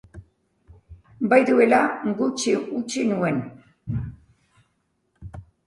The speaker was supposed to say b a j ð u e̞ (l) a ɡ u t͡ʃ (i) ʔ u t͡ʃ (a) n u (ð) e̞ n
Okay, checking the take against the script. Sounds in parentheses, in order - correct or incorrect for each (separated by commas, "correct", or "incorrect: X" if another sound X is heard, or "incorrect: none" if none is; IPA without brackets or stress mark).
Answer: correct, correct, incorrect: i, incorrect: none